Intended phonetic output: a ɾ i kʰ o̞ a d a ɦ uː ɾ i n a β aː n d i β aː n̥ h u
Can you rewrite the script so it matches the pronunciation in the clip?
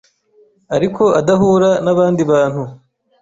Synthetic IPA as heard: a ɾ i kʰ o̞ a d a ɦ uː ɾ a n a β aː n d i β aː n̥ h u